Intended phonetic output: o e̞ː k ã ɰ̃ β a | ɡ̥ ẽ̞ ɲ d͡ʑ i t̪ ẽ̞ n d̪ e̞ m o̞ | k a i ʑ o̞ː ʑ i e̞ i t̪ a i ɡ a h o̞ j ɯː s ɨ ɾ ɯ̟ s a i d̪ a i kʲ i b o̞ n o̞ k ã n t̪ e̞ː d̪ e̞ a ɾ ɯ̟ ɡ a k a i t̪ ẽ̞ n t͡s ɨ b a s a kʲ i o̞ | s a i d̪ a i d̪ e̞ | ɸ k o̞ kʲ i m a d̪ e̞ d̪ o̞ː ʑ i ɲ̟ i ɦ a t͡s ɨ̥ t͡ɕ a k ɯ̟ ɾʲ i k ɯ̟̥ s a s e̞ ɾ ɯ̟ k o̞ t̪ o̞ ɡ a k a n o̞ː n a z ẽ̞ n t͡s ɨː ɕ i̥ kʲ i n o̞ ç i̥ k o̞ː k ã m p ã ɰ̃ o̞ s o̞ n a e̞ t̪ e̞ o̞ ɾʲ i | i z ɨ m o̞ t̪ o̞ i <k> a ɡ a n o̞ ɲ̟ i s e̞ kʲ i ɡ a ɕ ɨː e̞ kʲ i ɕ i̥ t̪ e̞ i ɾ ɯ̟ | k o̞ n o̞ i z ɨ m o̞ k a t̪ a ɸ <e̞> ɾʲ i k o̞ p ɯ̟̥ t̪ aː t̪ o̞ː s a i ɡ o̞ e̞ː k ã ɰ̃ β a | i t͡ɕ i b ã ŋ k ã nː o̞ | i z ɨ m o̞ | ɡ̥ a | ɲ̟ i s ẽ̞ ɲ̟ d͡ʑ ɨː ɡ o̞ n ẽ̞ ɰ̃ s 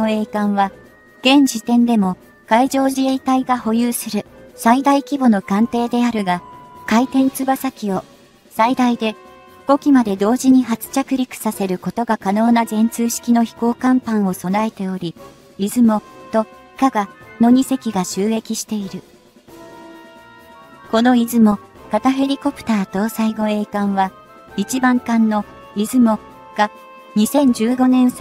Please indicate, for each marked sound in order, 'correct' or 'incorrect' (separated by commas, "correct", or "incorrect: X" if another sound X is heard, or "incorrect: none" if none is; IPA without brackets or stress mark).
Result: correct, correct